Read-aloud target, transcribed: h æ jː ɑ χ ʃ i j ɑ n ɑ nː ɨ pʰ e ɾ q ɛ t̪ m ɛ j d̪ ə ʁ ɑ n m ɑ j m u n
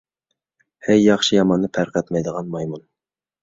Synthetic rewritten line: h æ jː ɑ χ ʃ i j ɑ m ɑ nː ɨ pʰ æ ɾ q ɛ t̪ m ɛ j d̪ ə ʁ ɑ n m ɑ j m u n